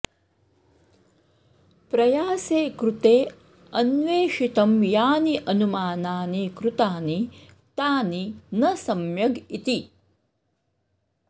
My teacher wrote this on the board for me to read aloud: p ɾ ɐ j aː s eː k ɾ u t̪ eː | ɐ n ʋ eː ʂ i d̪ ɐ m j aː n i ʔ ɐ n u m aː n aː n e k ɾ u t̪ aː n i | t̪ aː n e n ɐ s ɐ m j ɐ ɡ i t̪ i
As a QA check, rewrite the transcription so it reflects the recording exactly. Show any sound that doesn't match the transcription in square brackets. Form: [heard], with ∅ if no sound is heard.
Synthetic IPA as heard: p ɾ ɐ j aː s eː k ɾ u t̪ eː | ɐ n ʋ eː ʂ i [t̪] ɐ m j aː n i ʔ ɐ n u m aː n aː n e k ɾ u t̪ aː n i | t̪ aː n [i] n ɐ s ɐ m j ɐ ɡ i t̪ i